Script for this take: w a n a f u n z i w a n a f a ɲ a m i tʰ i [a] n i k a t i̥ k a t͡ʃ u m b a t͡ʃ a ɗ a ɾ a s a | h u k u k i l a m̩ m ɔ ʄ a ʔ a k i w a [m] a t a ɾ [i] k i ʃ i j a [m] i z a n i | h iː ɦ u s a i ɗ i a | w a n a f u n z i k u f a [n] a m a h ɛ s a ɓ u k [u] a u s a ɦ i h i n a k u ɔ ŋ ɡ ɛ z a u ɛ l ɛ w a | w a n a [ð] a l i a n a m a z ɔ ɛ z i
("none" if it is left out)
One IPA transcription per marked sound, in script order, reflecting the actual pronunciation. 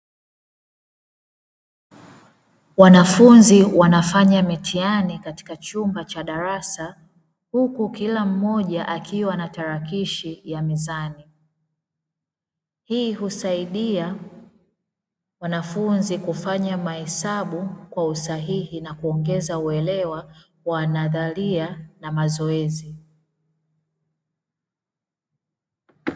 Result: a, n, a, m, ɲ, w, ð

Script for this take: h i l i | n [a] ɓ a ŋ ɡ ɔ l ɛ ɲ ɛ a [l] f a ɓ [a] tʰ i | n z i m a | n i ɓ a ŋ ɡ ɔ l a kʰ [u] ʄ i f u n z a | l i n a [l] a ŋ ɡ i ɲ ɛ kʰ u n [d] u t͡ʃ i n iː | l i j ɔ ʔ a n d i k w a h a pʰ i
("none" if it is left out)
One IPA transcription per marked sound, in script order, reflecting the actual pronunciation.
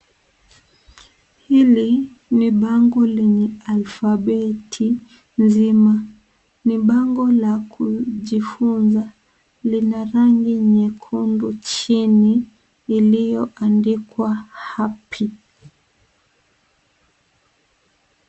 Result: i, l, ɛ, u, ɾ, d

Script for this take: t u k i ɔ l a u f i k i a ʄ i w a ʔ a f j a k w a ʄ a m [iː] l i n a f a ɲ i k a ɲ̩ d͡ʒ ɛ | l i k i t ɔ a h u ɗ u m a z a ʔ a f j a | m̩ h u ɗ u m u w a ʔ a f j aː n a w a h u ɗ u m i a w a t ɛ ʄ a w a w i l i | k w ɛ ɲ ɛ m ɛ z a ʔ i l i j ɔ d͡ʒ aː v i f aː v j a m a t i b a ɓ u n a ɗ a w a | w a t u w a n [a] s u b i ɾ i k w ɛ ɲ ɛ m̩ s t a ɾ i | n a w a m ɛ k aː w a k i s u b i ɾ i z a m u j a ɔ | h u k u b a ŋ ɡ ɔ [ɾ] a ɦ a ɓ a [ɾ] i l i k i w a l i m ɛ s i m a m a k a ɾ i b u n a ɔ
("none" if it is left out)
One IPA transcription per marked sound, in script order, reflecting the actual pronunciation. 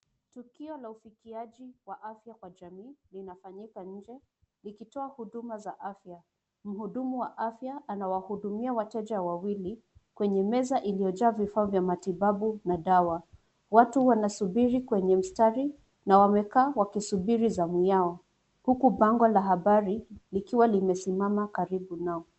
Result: iː, a, l, ɾ

